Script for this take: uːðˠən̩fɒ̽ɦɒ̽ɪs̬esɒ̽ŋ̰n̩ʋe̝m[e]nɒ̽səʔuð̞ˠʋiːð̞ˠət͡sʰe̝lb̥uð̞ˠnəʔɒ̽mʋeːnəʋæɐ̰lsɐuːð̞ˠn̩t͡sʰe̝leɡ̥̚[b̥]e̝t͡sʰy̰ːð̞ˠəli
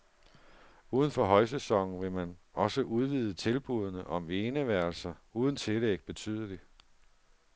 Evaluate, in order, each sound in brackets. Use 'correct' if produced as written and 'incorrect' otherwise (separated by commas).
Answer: incorrect, correct